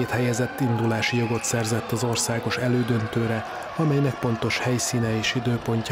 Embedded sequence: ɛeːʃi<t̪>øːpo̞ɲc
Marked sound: incorrect: d̪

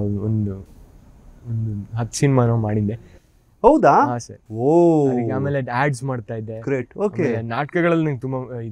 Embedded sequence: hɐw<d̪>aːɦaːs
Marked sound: correct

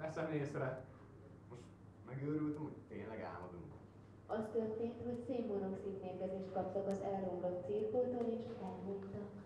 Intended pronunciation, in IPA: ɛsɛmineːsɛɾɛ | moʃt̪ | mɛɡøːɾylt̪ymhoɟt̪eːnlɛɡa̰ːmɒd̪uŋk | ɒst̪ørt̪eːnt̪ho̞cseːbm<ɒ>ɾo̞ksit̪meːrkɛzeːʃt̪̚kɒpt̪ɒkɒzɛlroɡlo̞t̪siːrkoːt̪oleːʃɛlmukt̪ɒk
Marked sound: incorrect: o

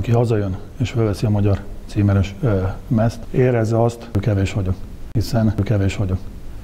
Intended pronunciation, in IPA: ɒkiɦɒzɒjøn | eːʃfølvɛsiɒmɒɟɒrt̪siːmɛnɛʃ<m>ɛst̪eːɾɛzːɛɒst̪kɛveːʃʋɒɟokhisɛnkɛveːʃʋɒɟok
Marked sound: correct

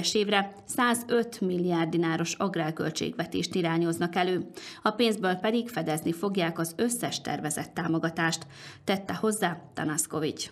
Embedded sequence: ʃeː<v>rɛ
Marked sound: correct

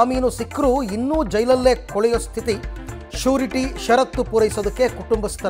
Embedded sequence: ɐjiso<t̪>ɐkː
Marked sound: incorrect: d̪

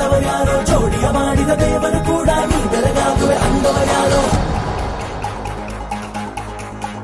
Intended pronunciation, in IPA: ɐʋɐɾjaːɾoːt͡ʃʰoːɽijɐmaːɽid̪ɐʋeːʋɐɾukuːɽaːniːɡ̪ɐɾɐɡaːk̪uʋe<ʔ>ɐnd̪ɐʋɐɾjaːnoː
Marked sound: correct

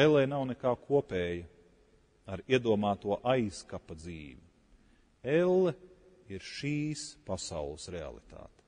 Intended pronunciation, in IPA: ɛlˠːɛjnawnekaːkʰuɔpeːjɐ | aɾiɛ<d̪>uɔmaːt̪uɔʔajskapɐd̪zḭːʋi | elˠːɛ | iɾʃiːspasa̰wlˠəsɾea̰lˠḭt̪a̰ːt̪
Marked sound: correct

